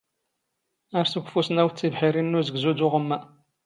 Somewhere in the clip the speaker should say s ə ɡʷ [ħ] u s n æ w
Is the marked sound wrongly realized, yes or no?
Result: yes